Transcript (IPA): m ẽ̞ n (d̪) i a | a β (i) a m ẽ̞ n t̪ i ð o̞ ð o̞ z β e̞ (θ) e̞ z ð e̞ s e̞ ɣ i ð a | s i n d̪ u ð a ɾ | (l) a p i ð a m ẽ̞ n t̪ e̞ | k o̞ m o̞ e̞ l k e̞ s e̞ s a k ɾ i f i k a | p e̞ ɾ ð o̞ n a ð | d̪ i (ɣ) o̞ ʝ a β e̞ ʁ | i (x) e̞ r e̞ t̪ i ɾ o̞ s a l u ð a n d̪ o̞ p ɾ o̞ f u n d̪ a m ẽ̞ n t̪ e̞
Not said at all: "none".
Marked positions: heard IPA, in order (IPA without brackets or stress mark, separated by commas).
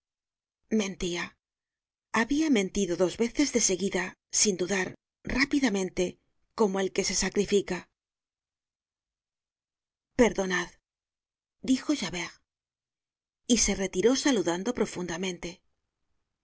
t̪, i, θ, r, x, s